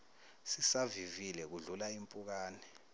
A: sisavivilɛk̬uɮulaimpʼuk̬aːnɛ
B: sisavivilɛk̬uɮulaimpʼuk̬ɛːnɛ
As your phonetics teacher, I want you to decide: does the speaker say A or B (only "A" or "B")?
A